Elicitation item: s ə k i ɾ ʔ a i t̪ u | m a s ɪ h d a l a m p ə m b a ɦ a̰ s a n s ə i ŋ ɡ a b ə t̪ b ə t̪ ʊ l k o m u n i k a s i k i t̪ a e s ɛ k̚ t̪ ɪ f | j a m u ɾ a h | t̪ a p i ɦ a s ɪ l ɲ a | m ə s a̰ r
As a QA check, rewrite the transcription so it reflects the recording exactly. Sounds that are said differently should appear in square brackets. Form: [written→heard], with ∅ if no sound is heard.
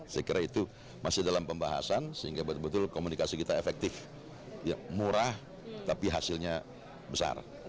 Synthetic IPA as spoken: s ə k i ɾ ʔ a i t̪ u | m a s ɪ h d a l a m p ə m b a ɦ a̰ s a n s ə i ŋ ɡ a b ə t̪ b ə t̪ ʊ l k o m u n i k a s i k i t̪ a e [s→f] ɛ k̚ t̪ ɪ f | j a m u ɾ a h | t̪ a p i ɦ a s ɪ l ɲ a | [m→b] ə s a̰ r